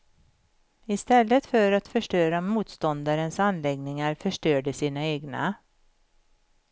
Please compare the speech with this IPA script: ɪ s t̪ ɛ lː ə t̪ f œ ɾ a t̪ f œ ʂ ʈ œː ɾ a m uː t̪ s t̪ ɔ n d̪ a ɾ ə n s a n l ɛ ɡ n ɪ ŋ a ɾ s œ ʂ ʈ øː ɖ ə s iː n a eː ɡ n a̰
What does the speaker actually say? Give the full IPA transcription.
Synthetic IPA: ɪ s t̪ ɛ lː ə t̪ f œ ɾ a t̪ f œ ʂ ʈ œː ɾ a m uː t̪ s t̪ ɔ n d̪ a ɾ ə n s a n l ɛ ɡ n ɪ ŋ a ɾ f œ ʂ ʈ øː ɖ ə s iː n a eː ɡ n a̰